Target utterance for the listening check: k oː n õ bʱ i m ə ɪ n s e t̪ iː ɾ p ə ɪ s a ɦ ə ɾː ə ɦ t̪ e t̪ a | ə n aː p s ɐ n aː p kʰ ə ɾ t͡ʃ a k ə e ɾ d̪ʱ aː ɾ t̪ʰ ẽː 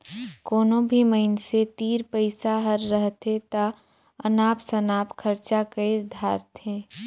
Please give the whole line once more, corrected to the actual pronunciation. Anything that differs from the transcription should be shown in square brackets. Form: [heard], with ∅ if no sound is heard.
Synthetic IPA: k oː n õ bʱ i m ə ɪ n s e t̪ iː ɾ p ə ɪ s a ɦ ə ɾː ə ɦ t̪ e t̪ a | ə n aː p s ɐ n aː p kʰ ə ɾ t͡ʃ a k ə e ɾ d̪ʱ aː ɾ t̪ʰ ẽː